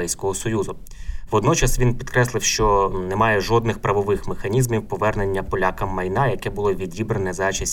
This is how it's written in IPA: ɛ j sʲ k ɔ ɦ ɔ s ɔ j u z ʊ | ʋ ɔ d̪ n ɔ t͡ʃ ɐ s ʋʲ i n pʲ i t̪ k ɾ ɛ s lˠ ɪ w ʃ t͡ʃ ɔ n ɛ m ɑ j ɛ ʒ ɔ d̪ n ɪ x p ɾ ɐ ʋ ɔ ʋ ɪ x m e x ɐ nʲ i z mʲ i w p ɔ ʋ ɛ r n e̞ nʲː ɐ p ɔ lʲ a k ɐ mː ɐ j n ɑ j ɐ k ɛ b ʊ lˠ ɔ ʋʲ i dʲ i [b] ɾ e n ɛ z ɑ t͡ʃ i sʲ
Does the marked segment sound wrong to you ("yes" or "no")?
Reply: no